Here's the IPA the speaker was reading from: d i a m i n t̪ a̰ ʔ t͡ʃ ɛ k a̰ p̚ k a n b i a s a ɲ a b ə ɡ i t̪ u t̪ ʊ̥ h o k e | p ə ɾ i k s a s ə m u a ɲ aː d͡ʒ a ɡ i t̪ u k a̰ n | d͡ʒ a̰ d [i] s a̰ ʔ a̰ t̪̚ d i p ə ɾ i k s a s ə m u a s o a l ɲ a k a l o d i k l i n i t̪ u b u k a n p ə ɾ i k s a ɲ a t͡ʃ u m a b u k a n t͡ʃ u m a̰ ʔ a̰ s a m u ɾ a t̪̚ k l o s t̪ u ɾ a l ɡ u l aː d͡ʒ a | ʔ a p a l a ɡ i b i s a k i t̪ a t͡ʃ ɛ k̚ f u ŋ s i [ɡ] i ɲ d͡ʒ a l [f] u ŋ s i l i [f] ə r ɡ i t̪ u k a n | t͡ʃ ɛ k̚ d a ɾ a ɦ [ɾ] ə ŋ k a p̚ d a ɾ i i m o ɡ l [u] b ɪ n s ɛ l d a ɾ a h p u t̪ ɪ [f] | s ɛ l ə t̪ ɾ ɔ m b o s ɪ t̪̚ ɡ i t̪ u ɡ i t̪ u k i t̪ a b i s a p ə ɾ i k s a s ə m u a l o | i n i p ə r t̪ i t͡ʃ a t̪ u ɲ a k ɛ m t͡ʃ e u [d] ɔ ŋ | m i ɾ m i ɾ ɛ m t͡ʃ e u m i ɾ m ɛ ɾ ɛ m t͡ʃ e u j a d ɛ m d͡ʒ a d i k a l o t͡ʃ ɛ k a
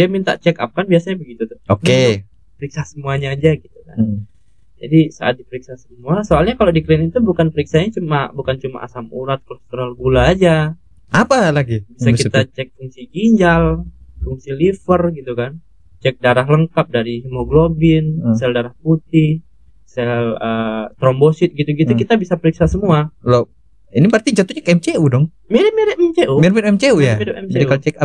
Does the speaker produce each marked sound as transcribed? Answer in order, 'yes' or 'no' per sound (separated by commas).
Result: yes, yes, yes, yes, no, no, no, yes